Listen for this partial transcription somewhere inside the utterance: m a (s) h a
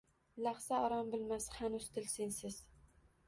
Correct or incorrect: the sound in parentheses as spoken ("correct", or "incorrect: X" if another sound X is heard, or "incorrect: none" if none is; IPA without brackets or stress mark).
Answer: correct